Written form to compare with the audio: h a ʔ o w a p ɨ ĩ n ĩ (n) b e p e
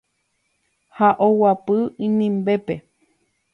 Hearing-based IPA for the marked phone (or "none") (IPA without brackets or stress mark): m